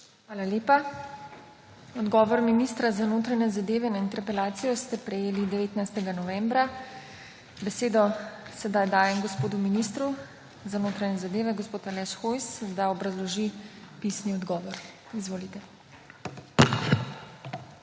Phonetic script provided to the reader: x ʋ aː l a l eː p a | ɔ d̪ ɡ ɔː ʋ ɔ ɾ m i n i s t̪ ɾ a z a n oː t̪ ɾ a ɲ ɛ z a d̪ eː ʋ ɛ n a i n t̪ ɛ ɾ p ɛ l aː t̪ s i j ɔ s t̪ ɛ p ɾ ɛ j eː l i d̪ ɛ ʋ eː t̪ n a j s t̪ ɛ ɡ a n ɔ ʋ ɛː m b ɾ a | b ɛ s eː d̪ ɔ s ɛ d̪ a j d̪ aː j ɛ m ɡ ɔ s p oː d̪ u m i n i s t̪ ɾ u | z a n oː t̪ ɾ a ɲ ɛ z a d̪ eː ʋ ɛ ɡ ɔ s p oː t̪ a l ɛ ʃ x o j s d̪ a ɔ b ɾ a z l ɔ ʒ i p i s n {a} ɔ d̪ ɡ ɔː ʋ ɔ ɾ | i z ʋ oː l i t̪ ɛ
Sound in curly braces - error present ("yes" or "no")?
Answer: yes